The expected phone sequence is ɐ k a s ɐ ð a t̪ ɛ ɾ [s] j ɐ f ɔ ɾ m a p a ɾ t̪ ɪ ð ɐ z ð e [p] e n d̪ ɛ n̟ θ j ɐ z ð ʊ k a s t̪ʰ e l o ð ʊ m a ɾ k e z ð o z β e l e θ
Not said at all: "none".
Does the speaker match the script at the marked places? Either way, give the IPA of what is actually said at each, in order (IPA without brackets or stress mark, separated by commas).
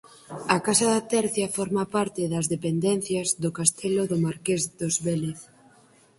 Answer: θ, p